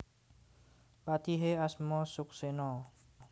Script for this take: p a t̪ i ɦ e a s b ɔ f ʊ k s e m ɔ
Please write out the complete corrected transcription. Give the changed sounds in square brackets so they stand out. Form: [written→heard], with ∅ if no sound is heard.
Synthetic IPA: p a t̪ i ɦ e a s [b→m] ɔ [f→s] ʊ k s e [m→n] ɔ